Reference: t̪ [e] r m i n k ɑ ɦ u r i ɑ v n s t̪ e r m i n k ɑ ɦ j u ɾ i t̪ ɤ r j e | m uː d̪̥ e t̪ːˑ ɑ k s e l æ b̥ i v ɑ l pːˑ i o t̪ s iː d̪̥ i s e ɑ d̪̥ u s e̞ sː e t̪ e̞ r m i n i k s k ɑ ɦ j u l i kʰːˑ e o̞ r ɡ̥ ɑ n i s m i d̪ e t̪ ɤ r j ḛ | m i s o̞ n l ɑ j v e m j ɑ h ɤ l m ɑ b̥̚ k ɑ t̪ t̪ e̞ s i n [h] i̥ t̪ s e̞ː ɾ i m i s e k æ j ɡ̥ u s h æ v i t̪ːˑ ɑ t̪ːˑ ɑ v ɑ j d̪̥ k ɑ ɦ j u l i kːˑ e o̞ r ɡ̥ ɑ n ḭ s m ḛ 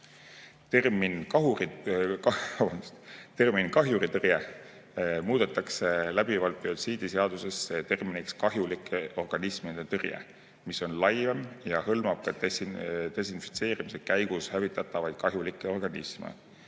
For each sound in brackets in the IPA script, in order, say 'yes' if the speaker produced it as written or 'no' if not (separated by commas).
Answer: yes, no